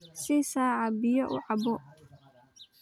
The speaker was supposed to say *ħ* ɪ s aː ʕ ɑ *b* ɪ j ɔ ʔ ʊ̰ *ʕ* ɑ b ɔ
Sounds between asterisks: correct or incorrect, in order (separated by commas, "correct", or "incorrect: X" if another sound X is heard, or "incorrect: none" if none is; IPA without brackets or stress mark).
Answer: incorrect: s, correct, correct